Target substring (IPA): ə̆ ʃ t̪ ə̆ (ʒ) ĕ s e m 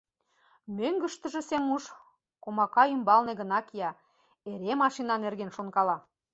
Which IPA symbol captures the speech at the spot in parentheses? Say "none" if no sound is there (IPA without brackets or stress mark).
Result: ʒ